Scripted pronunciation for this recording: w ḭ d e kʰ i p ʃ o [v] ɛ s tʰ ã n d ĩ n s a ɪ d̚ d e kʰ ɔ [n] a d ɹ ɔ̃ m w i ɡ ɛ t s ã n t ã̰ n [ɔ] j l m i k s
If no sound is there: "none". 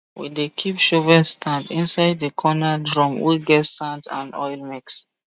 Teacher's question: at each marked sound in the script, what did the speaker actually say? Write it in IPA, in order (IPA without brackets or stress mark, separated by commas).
v, n, ɔ